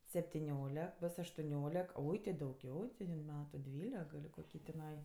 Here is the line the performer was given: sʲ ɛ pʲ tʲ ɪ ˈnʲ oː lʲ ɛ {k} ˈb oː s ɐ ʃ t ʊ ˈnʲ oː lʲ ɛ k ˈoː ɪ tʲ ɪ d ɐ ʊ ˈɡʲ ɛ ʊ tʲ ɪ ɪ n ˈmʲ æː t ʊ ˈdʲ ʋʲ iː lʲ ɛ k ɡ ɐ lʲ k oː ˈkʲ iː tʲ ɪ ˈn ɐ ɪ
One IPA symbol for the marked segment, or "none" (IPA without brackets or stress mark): k